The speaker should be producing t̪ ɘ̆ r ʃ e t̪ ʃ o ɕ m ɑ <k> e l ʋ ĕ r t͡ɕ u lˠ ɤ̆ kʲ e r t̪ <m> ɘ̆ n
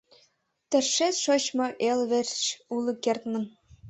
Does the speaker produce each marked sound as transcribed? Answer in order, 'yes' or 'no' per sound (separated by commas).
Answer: no, yes